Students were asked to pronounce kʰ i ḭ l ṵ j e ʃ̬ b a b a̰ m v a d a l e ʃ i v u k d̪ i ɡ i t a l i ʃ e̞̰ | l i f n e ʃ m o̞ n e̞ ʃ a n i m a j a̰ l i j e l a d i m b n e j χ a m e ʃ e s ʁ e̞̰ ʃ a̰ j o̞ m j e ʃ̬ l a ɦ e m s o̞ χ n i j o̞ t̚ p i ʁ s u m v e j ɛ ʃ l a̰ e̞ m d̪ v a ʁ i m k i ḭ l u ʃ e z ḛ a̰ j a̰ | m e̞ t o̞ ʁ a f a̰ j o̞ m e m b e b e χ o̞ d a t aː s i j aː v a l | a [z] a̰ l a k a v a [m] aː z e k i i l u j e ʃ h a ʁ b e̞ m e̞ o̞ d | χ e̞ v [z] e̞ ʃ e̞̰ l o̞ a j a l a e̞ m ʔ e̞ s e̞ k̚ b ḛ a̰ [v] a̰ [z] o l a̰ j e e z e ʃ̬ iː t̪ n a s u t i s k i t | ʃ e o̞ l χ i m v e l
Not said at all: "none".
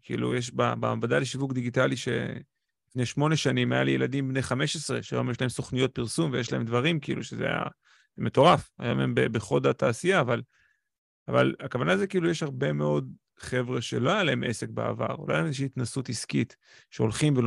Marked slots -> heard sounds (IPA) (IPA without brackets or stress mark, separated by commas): v, n, ʁ, v, ʁ